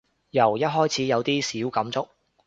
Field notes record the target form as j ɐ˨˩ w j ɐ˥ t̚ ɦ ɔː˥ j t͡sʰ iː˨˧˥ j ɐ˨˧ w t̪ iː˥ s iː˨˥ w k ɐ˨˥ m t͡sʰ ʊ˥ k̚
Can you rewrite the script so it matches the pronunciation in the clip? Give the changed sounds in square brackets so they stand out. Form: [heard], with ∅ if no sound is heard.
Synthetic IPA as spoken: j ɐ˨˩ w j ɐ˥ t̚ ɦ ɔː˥ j t͡sʰ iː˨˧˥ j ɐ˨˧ w t̪ iː˥ s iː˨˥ w k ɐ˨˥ m [t͡s] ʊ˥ k̚